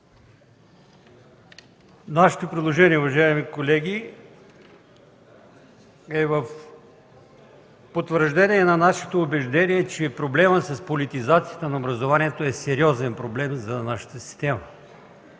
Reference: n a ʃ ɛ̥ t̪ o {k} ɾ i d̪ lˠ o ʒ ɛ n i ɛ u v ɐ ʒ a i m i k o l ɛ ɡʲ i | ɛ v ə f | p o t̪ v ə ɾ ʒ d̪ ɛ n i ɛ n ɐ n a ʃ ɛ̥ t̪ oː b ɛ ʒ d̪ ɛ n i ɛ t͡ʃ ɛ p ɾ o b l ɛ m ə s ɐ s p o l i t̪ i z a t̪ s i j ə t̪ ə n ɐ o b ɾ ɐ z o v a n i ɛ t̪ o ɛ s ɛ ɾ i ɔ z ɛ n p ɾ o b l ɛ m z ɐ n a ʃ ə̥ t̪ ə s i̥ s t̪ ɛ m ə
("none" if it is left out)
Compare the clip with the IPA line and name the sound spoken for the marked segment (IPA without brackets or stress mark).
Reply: p